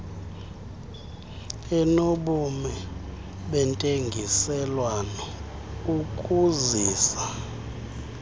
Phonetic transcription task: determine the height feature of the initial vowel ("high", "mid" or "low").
mid